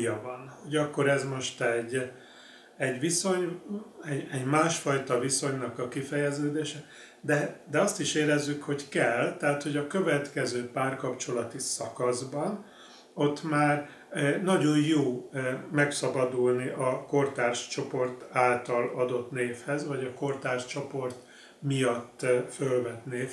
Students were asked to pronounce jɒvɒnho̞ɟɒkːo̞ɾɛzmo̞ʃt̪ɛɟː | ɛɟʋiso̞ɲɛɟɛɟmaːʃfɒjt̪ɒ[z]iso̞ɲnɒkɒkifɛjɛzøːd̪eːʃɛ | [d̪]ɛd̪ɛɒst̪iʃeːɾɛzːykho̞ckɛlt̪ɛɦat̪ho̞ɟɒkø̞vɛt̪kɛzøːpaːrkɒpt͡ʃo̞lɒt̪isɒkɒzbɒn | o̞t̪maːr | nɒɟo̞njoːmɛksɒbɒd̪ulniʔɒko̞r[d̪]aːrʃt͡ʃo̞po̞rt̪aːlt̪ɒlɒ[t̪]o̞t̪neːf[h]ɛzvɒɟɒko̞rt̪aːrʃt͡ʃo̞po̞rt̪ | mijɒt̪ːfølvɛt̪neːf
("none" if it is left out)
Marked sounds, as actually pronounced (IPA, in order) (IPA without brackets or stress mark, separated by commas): v, d̪, t̪, d̪, h